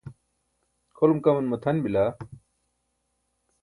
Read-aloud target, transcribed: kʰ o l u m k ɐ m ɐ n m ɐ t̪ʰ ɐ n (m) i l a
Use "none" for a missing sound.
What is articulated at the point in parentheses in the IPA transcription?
b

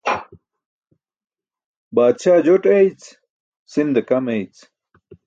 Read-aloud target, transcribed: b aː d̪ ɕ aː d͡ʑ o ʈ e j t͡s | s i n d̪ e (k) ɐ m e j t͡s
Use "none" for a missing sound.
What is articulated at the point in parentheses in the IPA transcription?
k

